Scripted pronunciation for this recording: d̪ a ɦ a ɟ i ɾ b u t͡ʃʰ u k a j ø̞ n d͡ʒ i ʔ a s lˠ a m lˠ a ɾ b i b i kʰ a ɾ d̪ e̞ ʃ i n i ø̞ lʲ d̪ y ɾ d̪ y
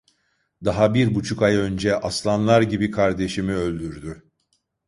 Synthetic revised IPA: d̪ a ɦ a b i ɾ b u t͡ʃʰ u k a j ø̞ n d͡ʒ ɛ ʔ a s lˠ a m lˠ a ɾ ɟ i b i kʰ a ɾ d̪ e̞ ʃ i m i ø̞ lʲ d̪ y ɾ d̪ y